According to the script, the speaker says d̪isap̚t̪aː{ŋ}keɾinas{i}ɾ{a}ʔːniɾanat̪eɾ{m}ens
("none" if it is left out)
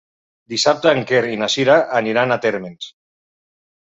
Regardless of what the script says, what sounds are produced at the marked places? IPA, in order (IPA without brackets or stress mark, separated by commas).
ŋ, i, a, m